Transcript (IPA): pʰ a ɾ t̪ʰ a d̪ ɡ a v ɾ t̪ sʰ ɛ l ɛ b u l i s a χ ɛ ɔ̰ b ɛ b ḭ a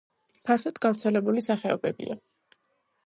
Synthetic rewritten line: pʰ a ɾ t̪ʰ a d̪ ɡ a v ɾ t̪ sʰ ɛ l ɛ b u l i s a χ ɛ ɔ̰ b ɛ b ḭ a